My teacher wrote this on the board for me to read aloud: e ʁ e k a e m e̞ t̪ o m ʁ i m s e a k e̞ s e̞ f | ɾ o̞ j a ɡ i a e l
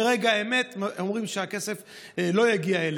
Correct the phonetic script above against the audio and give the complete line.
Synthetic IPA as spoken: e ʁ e ɡ a e m e̞ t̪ o m ʁ i m ʃ e a k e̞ s e̞ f | l o̞ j a ɡ i a e l